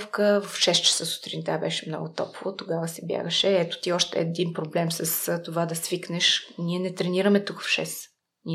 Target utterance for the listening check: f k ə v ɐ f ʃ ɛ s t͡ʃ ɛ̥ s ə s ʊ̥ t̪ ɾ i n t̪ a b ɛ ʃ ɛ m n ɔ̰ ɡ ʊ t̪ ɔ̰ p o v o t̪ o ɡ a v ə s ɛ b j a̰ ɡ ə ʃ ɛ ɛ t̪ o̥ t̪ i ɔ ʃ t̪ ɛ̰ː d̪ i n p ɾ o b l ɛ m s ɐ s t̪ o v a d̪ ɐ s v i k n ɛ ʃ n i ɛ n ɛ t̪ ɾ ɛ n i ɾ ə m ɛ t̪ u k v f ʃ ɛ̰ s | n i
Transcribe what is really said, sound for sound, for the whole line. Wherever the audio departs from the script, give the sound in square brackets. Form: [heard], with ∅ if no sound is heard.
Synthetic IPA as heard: f k ə v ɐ f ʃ ɛ s t͡ʃ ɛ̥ s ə s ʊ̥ t̪ ɾ i n t̪ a b ɛ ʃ ɛ m n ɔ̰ ɡ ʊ t̪ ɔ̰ p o v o t̪ o ɡ a v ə s ɛ b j a̰ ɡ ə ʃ ɛ ɛ t̪ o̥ t̪ i ɔ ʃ t̪ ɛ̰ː d̪ i n p ɾ o b l ɛ m s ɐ s t̪ o v a d̪ ɐ s v i k n ɛ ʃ n i ɛ n ɛ t̪ ɾ ɛ n i ɾ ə m ɛ t̪ u k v f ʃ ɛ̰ s | n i